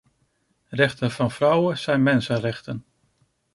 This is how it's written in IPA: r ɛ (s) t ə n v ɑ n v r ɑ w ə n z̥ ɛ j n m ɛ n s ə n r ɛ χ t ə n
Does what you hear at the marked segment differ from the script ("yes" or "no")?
yes